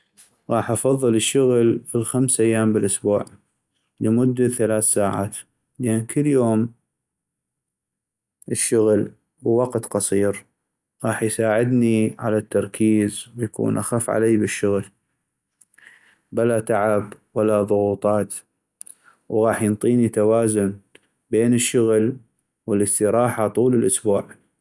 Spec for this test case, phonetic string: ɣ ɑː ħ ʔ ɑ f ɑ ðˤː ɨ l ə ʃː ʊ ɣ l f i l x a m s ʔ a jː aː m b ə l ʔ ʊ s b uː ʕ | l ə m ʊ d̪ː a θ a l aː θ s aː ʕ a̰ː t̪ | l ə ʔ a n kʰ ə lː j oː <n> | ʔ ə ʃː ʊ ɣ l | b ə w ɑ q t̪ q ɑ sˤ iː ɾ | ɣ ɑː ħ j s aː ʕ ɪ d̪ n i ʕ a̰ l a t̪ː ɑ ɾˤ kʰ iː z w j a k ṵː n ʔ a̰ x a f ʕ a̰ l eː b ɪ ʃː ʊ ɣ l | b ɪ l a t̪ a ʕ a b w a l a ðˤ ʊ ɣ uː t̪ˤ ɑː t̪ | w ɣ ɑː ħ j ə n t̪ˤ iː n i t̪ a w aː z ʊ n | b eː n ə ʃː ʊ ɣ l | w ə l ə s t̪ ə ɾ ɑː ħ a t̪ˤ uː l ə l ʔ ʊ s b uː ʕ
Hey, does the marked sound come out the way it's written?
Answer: no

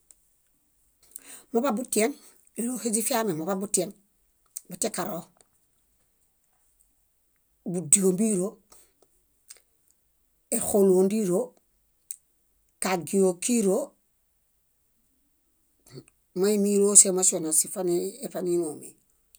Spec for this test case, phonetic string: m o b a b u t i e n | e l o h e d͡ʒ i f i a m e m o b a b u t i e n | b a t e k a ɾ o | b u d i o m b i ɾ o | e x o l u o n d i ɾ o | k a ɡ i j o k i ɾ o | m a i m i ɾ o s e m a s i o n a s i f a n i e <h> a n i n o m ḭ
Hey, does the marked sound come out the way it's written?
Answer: no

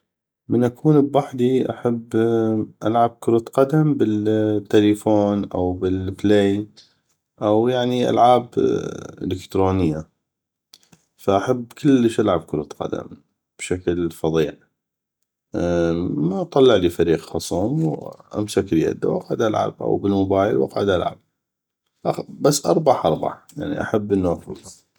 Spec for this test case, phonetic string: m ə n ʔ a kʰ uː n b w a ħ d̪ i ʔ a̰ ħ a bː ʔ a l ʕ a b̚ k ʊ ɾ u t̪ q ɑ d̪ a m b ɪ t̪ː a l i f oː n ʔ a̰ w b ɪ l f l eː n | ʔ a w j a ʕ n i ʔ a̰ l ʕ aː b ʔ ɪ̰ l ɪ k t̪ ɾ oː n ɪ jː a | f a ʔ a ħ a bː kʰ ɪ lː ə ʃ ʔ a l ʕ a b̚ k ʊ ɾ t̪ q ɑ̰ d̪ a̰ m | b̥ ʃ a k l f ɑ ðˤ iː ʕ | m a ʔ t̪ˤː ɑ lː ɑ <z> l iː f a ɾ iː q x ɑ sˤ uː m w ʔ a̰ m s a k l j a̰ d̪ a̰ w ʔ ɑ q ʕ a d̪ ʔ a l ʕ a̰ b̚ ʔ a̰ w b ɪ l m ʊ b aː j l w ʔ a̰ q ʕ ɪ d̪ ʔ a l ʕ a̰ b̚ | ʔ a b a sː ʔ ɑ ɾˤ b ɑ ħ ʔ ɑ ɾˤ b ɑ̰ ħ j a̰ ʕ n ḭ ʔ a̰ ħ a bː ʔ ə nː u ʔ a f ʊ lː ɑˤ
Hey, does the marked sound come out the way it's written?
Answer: no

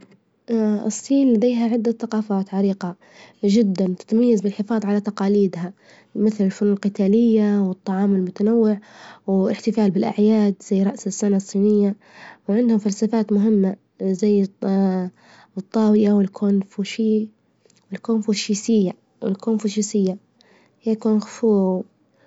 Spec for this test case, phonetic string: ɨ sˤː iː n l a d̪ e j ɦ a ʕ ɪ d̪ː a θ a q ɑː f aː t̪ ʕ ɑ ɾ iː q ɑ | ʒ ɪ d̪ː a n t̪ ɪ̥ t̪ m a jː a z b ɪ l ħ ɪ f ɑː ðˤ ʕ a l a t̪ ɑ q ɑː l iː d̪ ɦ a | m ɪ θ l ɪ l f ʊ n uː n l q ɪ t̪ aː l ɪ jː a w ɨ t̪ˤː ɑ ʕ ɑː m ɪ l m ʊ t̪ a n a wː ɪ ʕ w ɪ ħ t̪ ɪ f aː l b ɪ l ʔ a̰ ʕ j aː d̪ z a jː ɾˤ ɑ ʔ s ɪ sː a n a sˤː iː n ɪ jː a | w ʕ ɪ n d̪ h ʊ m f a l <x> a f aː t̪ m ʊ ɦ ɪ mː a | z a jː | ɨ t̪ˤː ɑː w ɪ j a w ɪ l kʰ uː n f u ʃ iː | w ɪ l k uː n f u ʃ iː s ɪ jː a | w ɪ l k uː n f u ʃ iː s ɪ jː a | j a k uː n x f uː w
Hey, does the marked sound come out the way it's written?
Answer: no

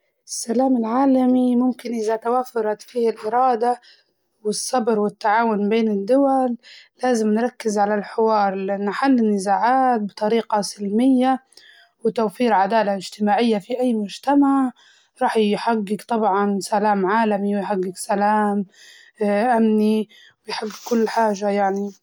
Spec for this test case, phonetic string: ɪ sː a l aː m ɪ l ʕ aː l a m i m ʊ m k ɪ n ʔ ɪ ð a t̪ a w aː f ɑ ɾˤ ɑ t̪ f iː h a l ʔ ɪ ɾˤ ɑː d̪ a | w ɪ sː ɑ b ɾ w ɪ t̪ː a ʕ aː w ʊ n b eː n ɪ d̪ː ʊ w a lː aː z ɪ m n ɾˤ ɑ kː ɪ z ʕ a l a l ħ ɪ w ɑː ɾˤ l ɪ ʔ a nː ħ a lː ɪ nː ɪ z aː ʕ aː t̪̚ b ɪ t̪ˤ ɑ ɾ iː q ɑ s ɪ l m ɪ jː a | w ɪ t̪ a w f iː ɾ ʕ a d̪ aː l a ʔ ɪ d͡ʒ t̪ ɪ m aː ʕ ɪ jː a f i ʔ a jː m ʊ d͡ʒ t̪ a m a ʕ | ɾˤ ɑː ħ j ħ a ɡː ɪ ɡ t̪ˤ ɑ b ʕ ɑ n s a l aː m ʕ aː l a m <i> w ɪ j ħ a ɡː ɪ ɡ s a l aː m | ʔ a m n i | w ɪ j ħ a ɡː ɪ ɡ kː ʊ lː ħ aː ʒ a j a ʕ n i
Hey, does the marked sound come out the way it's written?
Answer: yes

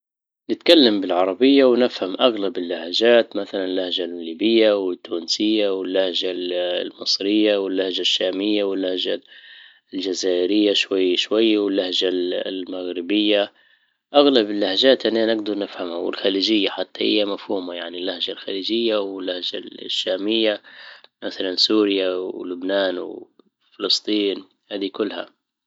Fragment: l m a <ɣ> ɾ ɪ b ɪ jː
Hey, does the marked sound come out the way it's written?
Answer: yes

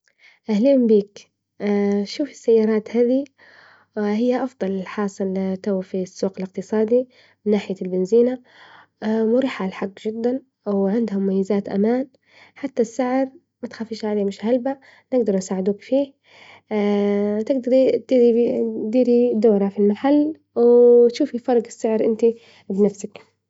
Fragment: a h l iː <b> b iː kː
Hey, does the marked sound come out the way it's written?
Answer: no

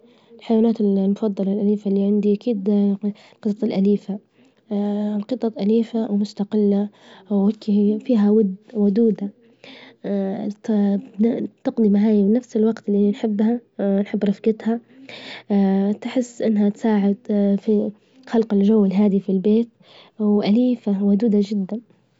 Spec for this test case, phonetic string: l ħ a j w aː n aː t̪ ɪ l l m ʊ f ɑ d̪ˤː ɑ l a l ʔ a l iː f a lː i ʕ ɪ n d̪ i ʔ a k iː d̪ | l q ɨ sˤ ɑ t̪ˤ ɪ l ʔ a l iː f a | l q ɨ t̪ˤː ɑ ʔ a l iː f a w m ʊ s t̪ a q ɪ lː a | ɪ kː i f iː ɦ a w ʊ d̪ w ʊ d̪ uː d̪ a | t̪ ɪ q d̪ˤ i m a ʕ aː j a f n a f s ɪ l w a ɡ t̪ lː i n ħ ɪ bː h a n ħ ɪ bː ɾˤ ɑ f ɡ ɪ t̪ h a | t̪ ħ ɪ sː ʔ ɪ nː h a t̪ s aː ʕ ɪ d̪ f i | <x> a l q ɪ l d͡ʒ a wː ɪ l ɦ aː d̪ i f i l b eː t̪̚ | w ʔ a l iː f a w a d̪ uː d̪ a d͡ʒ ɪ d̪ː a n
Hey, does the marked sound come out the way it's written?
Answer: yes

